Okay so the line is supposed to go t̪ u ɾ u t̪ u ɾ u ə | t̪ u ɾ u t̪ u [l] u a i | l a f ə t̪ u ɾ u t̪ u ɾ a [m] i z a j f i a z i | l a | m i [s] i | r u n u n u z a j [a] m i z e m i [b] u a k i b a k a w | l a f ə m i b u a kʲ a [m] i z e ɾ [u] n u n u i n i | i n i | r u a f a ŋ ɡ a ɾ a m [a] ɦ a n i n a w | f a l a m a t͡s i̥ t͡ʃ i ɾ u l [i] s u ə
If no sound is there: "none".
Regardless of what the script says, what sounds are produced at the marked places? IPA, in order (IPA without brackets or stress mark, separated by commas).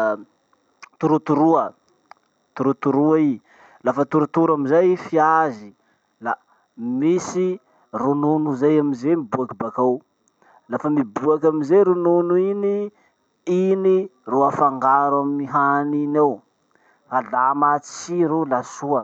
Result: ɾ, m, s, a, b, m, u, i, a